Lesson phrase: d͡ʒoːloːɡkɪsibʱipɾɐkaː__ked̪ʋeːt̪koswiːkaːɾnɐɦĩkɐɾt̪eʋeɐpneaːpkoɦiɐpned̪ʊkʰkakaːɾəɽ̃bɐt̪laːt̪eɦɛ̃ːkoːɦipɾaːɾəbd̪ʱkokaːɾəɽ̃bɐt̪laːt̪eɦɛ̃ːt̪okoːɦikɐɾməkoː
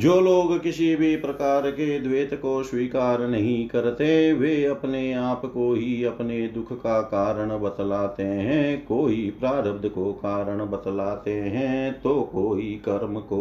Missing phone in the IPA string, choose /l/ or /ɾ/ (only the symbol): ɾ